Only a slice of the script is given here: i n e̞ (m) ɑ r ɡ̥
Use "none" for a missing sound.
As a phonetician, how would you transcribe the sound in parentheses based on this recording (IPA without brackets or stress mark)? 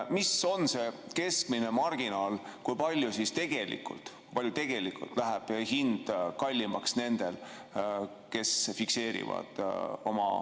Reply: m